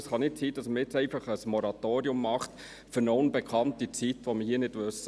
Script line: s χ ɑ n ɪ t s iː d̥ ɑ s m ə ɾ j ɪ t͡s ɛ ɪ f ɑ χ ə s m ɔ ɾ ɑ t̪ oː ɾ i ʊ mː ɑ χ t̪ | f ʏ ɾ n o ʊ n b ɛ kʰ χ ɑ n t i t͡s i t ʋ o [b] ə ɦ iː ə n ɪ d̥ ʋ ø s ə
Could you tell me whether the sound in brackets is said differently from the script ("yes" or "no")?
yes